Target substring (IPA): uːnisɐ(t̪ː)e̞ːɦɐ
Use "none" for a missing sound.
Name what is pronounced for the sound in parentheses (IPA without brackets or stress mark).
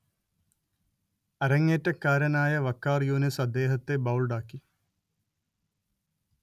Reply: d̪ː